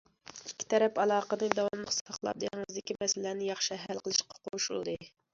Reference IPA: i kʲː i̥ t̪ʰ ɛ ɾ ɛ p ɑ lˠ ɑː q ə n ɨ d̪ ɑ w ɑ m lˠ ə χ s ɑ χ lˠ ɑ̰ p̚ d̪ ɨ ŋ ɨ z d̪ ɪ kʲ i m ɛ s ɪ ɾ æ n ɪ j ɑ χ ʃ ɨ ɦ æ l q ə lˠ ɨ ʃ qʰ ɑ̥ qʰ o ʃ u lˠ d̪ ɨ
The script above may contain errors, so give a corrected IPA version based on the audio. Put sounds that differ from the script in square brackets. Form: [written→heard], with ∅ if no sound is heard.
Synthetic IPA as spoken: i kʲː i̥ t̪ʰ ɛ ɾ ɛ p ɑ lˠ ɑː q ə n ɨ d̪ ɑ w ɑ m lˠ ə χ s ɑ χ lˠ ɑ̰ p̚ d̪ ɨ ŋ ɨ z d̪ ɪ kʲ i m ɛ s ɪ [ɾ→l] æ n ɪ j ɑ χ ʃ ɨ ɦ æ l q ə lˠ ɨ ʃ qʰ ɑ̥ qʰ o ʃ u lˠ d̪ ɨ